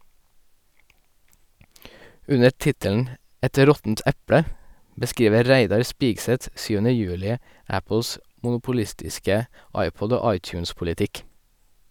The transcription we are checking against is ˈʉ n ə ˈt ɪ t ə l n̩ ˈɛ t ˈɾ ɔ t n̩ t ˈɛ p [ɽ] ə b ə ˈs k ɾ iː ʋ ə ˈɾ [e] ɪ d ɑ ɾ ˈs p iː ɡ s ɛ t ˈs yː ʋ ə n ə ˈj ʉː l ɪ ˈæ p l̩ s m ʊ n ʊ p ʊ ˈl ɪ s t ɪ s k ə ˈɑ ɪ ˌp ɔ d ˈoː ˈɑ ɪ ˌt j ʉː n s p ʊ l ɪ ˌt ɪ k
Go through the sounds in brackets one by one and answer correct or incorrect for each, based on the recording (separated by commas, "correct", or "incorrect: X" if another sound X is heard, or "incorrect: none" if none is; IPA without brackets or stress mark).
correct, incorrect: æ